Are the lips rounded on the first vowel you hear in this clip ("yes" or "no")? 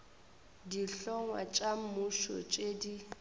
no